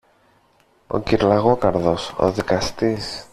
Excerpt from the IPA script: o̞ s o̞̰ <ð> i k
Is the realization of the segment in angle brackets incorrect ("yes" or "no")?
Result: no